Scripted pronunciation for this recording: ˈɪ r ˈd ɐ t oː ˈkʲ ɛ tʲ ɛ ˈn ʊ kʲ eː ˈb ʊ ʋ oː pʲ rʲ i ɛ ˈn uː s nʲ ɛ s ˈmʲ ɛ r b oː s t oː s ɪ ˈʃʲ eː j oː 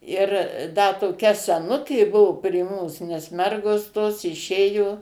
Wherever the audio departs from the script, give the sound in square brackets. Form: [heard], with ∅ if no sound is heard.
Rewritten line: ˈɪ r ˈd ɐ t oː ˈkʲ ɛ [sʲ] ɛ ˈn ʊ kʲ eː ˈb ʊ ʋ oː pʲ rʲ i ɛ [ˈm] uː s nʲ ɛ s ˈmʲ ɛ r [ɡ] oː s t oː s ɪ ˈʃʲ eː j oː